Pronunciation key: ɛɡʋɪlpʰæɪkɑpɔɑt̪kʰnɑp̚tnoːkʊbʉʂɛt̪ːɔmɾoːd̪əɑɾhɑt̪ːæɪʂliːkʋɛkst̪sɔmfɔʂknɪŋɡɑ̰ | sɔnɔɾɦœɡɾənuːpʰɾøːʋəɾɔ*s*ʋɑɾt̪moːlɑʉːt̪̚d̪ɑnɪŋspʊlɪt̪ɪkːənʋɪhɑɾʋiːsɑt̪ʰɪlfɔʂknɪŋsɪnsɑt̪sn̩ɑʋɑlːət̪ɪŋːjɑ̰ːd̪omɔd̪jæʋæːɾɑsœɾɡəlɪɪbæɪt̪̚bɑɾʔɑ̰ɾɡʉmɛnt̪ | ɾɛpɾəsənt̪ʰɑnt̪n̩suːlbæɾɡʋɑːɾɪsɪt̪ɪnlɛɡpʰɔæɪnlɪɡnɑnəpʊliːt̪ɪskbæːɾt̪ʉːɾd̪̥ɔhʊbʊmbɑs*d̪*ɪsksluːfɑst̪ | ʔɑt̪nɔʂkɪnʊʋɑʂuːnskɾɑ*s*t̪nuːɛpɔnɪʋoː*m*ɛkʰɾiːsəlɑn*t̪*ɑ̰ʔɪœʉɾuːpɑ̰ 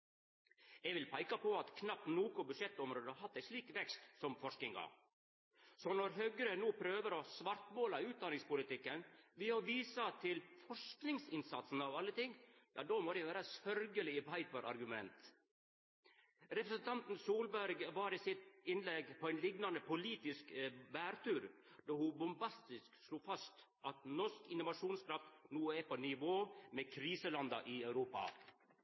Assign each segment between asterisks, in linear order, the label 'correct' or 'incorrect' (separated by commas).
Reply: correct, incorrect, incorrect, correct, incorrect